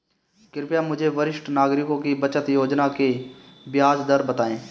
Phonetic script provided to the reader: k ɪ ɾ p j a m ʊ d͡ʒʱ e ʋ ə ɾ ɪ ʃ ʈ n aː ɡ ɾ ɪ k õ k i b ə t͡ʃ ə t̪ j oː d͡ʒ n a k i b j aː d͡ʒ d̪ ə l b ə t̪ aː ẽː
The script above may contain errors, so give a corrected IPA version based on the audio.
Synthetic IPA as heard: k ɪ ɾ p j a m ʊ d͡ʒʱ e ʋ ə ɾ ɪ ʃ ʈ n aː ɡ ɾ ɪ k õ k i b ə t͡ʃ ə t̪ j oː d͡ʒ n a k e b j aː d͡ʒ d̪ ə ɾ b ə t̪ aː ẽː